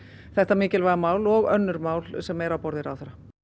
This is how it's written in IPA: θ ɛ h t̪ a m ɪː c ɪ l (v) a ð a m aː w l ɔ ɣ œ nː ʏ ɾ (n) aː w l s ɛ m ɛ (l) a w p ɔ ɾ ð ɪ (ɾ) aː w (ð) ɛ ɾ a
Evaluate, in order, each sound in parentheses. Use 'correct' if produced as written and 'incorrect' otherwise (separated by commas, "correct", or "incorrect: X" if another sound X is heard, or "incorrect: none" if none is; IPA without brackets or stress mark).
correct, incorrect: m, incorrect: ɾ, correct, incorrect: θ